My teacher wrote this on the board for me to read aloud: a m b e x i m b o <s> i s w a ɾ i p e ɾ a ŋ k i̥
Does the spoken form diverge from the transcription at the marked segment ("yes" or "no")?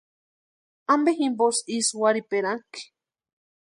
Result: no